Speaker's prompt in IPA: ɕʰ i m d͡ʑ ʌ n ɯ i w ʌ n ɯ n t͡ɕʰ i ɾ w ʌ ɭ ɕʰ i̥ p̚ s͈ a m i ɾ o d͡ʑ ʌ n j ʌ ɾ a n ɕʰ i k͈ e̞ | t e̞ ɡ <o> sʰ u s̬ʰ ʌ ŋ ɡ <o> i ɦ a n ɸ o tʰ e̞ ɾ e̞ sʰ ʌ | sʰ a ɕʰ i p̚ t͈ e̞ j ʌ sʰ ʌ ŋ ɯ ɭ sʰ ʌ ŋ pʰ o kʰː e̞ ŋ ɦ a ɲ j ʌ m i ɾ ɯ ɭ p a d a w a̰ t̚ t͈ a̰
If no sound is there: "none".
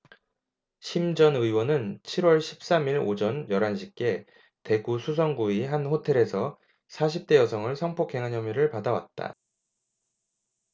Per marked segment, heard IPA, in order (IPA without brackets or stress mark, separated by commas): u, u